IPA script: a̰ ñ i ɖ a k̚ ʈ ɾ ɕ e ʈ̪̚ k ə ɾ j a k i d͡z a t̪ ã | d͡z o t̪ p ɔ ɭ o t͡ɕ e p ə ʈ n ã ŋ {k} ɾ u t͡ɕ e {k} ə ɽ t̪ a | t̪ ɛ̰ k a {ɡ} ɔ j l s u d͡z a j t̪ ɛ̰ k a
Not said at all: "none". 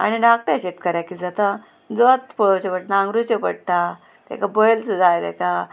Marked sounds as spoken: ɡ, p, b

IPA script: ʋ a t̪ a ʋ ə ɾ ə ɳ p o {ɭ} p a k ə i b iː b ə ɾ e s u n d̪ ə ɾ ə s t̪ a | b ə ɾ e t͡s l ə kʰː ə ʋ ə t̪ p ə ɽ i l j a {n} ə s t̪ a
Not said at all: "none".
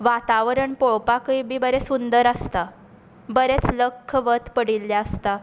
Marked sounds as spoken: ɭ, none

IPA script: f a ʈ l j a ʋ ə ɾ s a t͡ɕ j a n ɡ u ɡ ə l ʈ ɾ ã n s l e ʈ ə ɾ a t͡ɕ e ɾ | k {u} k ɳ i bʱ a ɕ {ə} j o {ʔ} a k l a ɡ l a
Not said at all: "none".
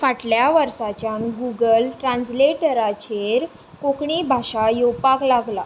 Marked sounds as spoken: o, a, p

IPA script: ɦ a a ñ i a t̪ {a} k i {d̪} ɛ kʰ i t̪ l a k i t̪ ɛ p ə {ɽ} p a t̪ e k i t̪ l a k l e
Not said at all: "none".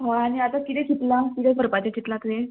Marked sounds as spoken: a, t̪, ɾ

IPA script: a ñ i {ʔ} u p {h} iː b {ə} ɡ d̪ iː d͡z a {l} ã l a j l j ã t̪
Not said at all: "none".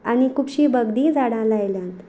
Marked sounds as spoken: k, ɕ, ə, ɽ

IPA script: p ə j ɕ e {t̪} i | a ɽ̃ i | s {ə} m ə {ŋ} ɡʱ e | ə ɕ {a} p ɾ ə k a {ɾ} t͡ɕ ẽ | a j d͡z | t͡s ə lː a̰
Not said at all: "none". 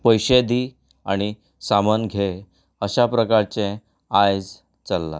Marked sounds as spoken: d̪, a, n, a, ɾ

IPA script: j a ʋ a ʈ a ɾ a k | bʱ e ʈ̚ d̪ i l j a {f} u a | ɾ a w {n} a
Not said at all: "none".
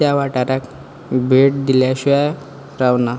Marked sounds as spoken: ɕ, n

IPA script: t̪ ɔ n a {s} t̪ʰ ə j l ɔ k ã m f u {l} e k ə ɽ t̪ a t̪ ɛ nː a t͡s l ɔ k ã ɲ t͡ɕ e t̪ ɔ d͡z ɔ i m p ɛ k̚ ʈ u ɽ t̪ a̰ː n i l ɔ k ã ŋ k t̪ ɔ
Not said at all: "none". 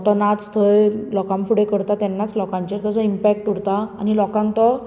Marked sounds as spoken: t͡s, ɽ

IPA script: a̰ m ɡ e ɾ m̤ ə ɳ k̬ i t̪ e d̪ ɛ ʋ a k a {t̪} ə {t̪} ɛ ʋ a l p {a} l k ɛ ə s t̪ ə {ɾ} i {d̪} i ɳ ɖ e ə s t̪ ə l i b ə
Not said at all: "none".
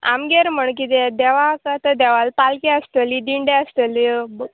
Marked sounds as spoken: t̪, d̪, a, l, d̪

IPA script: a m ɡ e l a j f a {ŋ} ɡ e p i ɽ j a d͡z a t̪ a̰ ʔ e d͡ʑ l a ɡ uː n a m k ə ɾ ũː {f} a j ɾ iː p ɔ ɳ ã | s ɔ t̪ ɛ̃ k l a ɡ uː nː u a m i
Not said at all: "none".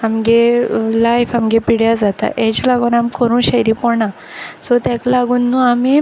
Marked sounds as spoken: m, ɕ

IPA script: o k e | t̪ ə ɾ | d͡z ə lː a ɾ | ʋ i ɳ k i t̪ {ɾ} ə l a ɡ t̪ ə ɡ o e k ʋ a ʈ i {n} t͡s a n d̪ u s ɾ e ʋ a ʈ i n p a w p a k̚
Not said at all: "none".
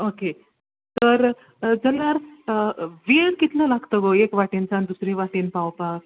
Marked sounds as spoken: l, n

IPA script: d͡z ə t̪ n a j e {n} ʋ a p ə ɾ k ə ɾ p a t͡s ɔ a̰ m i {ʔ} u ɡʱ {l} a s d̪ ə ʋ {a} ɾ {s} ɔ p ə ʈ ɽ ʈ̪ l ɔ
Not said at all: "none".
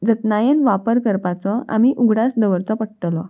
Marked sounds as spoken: n, ʔ, ɽ, ə, t͡s

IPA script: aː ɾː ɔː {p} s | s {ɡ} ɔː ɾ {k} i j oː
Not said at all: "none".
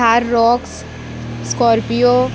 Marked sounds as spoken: k, k, p

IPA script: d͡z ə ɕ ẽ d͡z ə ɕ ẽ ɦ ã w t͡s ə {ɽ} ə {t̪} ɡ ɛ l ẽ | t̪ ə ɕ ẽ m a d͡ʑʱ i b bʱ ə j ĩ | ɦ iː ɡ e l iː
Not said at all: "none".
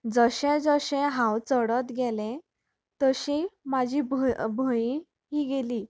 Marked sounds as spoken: ɽ, t̪

